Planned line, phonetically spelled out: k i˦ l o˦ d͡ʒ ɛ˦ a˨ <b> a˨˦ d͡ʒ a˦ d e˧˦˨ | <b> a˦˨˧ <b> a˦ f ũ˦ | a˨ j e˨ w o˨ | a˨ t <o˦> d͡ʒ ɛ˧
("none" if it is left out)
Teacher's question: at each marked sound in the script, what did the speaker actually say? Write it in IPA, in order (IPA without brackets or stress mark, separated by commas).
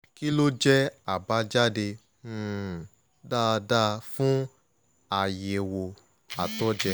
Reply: b, d, d, ɔ˦